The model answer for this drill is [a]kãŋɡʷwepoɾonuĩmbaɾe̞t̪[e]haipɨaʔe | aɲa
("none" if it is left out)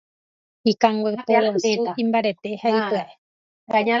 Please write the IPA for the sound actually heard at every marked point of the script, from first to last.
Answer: i, e

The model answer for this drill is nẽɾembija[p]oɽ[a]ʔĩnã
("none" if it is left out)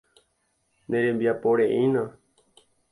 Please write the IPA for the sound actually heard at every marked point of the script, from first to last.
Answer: p, e

